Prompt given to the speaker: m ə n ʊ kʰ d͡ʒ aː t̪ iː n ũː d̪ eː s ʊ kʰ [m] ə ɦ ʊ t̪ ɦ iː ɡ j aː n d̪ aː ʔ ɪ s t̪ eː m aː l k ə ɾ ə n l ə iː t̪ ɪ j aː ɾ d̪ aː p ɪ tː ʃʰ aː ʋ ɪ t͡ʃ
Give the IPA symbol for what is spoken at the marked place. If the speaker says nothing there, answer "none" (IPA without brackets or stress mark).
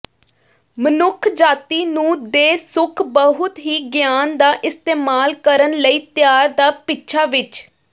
b